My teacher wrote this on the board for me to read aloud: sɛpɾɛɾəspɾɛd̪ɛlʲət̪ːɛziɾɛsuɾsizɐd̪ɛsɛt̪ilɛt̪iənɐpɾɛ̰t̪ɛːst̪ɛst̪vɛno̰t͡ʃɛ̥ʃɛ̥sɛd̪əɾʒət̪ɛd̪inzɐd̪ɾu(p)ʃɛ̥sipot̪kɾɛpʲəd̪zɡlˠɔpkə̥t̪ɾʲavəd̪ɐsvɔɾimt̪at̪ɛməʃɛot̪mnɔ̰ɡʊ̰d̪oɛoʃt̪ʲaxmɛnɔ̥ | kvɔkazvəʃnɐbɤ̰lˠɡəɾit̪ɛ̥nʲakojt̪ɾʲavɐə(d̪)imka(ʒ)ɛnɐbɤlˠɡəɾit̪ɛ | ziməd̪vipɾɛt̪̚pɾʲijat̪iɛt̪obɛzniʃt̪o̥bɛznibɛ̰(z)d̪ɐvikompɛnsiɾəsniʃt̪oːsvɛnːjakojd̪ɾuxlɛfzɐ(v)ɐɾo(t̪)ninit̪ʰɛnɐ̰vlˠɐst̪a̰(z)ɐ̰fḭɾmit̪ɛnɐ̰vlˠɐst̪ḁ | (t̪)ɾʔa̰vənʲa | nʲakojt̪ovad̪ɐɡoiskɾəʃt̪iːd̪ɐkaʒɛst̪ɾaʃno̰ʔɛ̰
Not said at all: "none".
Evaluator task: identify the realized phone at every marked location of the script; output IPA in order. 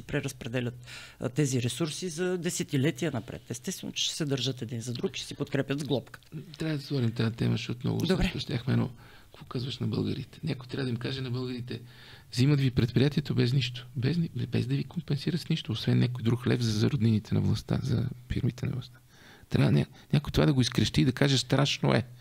k, d̪, ʒ, z, z, d̪, z, t̪

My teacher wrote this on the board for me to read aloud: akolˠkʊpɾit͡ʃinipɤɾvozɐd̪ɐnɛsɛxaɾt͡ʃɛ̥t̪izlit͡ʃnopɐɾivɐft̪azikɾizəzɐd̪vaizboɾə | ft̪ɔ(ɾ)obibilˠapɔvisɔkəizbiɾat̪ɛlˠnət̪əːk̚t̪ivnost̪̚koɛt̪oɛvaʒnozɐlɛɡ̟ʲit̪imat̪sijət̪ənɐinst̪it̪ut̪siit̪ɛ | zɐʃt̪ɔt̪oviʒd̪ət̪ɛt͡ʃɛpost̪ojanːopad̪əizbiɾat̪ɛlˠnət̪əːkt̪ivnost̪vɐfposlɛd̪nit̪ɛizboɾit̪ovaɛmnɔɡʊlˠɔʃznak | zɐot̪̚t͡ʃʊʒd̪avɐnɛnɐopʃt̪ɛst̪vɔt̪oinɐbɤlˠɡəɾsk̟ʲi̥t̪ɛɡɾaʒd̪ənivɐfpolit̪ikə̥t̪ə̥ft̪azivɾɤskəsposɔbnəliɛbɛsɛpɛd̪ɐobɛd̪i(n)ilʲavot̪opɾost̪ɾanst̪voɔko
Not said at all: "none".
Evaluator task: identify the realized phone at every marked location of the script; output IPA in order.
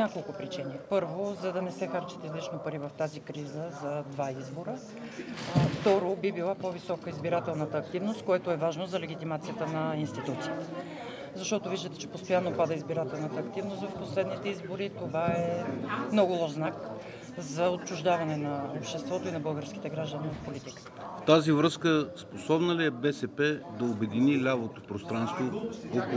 ɾ, n

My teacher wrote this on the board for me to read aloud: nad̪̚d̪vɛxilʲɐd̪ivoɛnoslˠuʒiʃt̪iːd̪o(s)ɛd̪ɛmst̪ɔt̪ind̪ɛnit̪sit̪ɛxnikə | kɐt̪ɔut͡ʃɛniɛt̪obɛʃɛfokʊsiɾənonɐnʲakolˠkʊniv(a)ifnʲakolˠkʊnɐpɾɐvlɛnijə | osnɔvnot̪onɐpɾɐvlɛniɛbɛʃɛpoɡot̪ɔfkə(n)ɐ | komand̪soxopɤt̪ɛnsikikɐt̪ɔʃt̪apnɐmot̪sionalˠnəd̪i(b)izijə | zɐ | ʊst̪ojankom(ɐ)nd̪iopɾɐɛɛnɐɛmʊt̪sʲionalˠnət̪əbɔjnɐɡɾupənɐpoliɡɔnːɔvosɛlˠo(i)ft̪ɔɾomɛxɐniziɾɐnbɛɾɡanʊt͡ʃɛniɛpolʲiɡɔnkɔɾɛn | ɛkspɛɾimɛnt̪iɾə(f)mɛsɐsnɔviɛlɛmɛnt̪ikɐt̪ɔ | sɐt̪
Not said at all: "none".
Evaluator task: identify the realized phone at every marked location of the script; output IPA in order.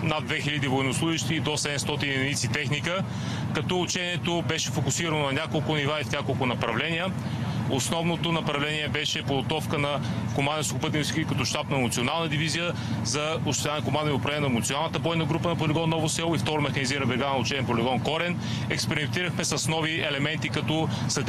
s, a, n, v, a, i, x

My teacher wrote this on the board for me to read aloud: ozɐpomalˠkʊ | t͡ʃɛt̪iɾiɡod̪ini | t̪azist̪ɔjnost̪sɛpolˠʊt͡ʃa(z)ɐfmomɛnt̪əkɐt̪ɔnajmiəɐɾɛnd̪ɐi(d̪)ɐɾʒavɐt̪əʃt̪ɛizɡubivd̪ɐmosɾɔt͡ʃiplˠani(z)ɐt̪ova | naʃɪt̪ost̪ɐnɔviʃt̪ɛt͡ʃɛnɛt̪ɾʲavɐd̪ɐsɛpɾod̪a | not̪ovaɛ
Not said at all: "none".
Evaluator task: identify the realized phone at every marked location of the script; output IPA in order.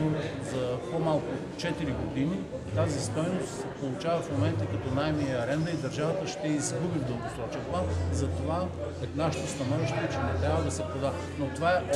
v, d̪, z

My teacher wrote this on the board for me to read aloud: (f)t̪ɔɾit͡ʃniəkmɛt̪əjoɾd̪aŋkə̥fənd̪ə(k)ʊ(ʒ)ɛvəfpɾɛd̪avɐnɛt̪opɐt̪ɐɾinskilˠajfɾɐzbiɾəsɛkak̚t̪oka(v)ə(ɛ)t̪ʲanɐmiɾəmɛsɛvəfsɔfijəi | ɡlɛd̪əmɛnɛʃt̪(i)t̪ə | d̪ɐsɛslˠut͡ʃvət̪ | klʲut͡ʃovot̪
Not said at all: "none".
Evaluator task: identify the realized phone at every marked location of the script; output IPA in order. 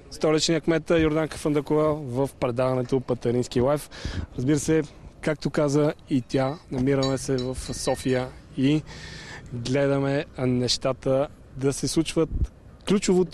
s, k, v, z, i, a

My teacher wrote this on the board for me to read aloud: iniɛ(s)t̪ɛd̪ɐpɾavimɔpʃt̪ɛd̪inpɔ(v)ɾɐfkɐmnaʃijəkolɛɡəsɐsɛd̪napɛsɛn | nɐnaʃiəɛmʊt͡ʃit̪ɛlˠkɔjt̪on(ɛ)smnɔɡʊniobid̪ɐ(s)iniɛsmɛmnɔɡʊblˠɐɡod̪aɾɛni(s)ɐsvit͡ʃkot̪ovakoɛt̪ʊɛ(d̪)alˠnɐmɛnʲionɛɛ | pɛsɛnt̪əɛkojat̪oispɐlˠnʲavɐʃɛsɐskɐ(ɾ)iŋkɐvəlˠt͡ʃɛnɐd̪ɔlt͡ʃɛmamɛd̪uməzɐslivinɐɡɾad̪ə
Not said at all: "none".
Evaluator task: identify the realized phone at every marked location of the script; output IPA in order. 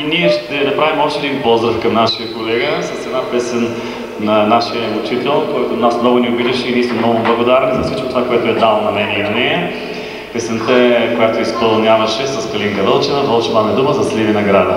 ʃ, z, a, ʃ, z, d̪, l

